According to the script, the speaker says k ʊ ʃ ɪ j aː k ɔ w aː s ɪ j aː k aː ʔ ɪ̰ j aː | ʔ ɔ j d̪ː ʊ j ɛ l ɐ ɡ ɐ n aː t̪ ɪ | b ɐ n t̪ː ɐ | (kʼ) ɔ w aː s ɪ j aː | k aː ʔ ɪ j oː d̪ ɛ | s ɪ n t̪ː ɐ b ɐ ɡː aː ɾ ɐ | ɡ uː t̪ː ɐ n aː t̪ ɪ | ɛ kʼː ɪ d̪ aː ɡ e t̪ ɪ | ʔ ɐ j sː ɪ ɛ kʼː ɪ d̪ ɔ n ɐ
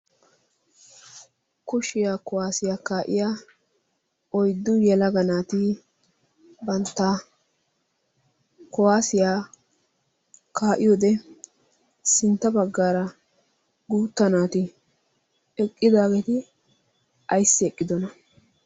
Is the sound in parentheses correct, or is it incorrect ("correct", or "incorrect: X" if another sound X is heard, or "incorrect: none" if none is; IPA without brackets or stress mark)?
incorrect: k